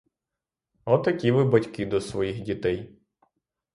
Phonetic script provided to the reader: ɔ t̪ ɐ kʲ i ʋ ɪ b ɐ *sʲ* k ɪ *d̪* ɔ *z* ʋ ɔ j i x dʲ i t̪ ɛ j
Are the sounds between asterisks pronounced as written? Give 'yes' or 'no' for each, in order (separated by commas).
no, yes, no